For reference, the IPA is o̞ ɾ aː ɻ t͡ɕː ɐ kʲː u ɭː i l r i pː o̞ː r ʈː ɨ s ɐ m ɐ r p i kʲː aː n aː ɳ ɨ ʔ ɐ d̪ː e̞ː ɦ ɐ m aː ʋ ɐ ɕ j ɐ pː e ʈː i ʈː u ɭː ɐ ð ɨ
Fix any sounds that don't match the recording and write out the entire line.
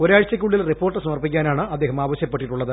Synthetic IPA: o̞ ɾ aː ɻ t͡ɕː ɐ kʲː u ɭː i l r i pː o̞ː r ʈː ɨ s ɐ m ɐ r p i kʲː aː n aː ɳ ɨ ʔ ɐ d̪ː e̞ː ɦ ɐ m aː ʋ ɐ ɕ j ɐ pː e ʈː i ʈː u ɭː ɐ ð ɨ